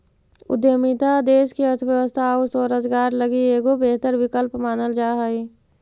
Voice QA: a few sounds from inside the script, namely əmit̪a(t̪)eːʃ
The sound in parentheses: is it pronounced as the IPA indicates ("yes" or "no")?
no